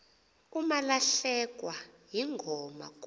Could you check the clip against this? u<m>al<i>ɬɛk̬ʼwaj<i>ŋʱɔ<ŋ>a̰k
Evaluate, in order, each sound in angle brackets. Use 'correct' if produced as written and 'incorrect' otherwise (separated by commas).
correct, incorrect, correct, incorrect